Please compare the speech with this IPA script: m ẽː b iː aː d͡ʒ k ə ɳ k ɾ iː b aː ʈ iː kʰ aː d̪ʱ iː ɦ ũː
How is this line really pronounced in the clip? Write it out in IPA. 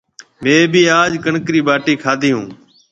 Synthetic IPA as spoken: m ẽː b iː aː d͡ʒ k ə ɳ k ɾ iː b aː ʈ iː kʰ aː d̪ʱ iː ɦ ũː